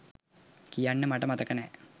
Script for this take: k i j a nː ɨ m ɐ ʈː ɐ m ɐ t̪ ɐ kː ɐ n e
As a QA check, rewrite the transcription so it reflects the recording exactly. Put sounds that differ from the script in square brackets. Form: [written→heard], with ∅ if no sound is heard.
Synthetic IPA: k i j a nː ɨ m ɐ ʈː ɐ m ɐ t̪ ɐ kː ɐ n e